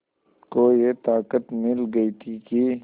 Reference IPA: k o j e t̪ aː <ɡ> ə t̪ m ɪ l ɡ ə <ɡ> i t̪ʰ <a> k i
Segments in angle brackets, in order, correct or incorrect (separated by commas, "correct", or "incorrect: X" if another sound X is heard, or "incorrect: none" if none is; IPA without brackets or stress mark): incorrect: k, incorrect: none, incorrect: i